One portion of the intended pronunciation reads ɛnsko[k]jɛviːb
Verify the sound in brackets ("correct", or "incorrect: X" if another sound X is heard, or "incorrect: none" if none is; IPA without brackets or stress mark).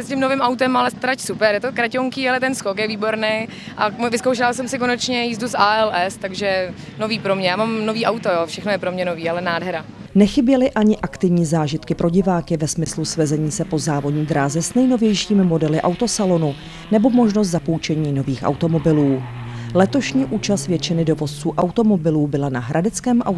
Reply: correct